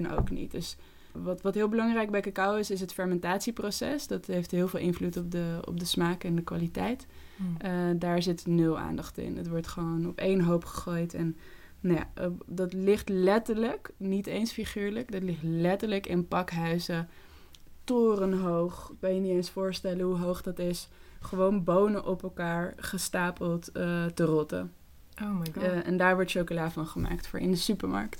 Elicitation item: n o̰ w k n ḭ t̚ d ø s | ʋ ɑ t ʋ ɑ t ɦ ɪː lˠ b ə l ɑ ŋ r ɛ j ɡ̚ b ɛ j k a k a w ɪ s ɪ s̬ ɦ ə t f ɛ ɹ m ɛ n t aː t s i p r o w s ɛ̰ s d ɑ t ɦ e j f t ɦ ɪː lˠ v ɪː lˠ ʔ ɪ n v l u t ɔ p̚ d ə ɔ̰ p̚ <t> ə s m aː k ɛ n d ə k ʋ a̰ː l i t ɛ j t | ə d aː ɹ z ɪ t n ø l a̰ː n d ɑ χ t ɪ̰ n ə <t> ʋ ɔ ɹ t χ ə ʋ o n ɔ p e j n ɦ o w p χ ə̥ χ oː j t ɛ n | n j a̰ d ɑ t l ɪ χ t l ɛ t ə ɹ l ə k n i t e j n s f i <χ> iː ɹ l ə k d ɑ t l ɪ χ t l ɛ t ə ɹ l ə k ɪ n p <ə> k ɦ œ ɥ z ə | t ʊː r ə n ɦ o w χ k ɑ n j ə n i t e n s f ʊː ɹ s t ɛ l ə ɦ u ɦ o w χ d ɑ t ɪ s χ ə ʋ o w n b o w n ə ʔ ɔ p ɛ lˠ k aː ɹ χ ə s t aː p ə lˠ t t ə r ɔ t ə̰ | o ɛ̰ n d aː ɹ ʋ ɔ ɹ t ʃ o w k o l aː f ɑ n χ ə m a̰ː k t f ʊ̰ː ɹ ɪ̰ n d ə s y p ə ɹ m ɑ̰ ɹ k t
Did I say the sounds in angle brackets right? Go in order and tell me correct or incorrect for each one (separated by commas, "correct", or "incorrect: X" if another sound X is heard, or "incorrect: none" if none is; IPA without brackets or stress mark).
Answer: incorrect: d, correct, correct, incorrect: ɑ